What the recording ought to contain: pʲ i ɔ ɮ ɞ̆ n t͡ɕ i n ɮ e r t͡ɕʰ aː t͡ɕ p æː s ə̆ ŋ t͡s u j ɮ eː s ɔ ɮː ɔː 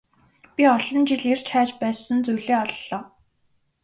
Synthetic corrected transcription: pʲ i ɔ ɮ ɞ̆ n t͡ɕ i ɮ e r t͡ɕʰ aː t͡ɕ p æː s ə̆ n t͡s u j ɮ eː ɔ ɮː ɔː